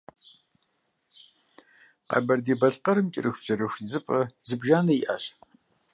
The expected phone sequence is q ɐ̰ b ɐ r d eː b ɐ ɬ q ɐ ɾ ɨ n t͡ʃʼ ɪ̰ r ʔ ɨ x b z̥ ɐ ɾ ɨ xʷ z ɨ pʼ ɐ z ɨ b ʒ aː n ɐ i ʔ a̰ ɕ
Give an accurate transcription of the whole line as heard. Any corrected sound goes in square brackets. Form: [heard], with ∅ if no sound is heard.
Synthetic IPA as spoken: q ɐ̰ b ɐ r d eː b ɐ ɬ q ɐ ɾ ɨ [m] t͡ʃʼ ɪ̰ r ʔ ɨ x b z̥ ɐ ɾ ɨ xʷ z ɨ pʼ ɐ z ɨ b ʒ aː n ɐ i ʔ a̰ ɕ